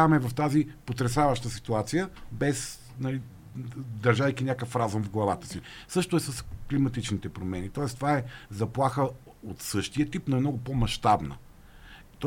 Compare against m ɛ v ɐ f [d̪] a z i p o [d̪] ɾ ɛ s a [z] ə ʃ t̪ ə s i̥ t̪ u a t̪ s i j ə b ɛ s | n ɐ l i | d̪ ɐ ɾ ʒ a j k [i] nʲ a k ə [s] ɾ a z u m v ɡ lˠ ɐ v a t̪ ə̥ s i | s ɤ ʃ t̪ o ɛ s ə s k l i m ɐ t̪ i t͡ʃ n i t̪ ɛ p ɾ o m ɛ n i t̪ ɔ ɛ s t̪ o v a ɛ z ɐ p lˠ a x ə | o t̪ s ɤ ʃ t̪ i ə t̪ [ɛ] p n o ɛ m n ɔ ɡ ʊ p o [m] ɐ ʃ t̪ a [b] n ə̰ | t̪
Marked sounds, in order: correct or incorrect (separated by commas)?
incorrect, incorrect, incorrect, correct, incorrect, incorrect, correct, correct